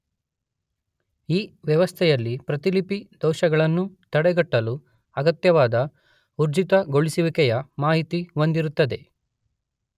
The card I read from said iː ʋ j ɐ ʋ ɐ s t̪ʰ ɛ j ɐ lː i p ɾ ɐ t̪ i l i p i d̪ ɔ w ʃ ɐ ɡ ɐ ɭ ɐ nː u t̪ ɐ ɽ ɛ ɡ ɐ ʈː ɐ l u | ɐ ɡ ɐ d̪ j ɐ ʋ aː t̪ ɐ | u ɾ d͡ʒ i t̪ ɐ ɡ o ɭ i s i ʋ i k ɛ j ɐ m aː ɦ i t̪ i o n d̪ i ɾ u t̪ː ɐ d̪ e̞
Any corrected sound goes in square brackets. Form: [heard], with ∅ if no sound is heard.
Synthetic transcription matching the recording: iː ʋ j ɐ ʋ ɐ s t̪ʰ ɛ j ɐ lː i p ɾ ɐ t̪ i l i p i d̪ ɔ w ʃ ɐ ɡ ɐ ɭ ɐ nː u t̪ ɐ ɽ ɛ ɡ ɐ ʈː ɐ l u | ɐ ɡ ɐ [t̪] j ɐ ʋ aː [d̪] ɐ | u ɾ d͡ʒ i t̪ ɐ ɡ o ɭ i s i ʋ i k ɛ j ɐ m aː ɦ i t̪ i o n d̪ i ɾ u t̪ː ɐ d̪ e̞